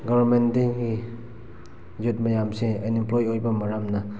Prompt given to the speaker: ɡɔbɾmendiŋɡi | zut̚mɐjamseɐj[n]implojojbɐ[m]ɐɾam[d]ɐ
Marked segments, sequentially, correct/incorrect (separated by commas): correct, correct, incorrect